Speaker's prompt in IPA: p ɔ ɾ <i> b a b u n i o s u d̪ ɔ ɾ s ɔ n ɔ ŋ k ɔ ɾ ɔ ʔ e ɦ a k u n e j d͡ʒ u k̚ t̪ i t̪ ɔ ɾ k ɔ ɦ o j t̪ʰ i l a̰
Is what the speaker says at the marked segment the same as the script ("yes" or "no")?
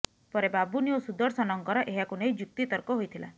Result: no